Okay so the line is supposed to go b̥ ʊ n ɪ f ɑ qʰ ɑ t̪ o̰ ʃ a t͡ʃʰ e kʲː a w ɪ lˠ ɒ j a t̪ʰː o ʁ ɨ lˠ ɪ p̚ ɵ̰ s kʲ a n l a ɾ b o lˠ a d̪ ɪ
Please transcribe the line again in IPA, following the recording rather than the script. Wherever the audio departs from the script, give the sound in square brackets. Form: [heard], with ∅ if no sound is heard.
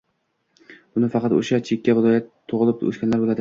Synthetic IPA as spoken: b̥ ʊ n ɪ f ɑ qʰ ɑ t̪ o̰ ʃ a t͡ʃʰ e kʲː a [v] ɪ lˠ ɒ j a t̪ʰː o ʁ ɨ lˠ ɪ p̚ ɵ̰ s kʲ a n l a ɾ b o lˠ a d̪ ɪ